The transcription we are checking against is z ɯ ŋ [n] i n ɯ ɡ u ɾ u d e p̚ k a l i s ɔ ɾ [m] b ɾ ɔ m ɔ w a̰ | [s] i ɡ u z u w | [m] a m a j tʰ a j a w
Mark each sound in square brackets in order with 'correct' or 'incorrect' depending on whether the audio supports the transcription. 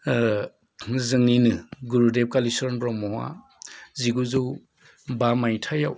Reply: correct, incorrect: n, incorrect: z, incorrect: b

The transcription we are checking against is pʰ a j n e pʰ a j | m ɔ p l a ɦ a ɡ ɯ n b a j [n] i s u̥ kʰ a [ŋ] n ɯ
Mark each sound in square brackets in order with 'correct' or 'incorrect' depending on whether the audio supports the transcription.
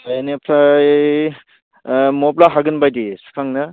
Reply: incorrect: d, correct

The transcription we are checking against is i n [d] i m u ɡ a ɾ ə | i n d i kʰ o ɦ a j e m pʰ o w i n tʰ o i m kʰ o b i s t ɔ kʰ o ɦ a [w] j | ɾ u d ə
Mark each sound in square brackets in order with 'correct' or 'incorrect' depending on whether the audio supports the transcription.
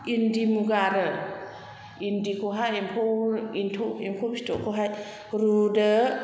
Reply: correct, incorrect: none

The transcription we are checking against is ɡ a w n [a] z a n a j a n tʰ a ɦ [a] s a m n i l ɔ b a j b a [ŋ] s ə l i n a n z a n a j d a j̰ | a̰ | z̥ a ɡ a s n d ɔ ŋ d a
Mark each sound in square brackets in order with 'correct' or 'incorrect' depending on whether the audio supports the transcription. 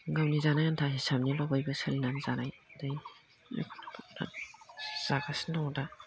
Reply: incorrect: i, incorrect: i, incorrect: none

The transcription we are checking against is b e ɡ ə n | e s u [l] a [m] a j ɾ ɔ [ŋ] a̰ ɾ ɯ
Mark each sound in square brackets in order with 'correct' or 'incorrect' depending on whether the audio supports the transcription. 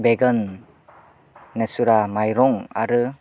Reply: incorrect: ɾ, correct, correct

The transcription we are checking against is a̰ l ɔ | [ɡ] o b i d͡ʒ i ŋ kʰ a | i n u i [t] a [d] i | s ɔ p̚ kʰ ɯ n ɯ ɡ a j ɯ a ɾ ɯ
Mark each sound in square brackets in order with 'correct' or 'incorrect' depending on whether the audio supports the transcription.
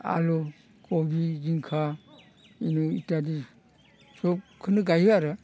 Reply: incorrect: k, correct, correct

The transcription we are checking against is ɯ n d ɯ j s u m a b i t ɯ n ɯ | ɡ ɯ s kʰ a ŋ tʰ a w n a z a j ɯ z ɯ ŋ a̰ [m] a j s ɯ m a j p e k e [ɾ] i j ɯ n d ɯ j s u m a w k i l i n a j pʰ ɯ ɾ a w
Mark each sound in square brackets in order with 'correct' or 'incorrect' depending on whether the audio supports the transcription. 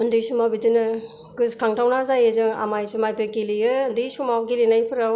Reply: correct, incorrect: l

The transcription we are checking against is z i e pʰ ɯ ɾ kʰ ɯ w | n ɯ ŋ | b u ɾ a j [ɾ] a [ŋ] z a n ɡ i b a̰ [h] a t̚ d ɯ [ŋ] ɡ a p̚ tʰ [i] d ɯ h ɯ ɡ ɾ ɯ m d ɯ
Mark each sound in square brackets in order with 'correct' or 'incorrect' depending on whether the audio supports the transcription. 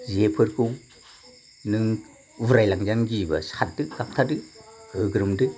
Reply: incorrect: l, correct, incorrect: s, incorrect: none, incorrect: a

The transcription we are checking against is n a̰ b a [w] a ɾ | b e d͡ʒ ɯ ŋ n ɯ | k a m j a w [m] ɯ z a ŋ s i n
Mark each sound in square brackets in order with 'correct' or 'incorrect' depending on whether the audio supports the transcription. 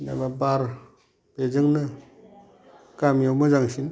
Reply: incorrect: b, correct

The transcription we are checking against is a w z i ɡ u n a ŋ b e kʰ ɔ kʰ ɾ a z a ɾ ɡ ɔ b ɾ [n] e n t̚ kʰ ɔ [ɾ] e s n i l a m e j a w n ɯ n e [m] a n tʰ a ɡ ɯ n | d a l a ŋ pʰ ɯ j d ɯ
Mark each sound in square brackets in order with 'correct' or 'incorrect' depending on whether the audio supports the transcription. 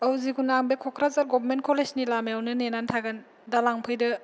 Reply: incorrect: m, incorrect: l, incorrect: n

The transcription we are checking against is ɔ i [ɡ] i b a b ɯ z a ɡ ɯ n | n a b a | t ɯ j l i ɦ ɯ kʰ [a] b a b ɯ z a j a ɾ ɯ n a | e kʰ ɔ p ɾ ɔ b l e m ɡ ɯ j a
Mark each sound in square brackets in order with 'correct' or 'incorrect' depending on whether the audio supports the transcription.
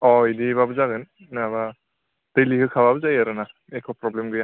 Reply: incorrect: d, correct

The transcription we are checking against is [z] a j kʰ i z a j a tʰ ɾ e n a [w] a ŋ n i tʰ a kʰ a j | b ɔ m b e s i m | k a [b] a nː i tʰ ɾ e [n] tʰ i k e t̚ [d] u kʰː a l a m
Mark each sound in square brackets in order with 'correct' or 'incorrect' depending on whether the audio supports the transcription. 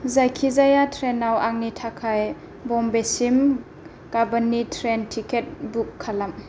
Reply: correct, correct, correct, correct, incorrect: b

